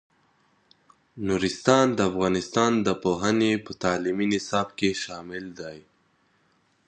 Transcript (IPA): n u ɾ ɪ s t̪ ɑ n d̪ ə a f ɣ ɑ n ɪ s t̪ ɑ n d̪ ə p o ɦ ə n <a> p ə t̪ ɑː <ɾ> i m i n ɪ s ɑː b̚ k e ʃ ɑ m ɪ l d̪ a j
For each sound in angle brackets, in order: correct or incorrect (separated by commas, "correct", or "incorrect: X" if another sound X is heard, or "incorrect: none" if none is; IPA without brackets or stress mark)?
incorrect: e, incorrect: l